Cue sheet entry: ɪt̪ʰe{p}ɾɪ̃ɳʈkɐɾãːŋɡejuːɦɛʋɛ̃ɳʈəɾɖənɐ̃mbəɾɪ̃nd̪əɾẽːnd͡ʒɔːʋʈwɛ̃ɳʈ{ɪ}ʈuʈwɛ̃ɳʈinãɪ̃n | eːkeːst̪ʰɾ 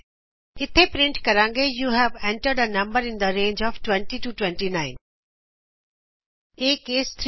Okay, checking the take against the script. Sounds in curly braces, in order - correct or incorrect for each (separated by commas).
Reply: correct, incorrect